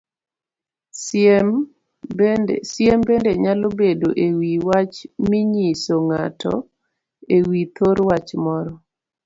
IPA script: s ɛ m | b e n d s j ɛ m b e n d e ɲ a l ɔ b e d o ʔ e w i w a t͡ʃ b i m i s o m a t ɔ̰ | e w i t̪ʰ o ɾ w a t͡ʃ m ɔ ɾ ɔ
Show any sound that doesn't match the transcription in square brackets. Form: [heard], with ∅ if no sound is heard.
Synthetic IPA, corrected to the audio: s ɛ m | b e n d s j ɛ m b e n d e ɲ a l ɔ b e d o ʔ e w i w a t͡ʃ [m] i [ɲ] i s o [ŋ] a t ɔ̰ | e w i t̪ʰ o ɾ w a t͡ʃ m ɔ ɾ ɔ